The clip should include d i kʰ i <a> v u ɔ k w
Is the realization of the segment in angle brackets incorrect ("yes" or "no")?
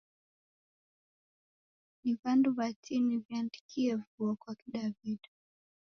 yes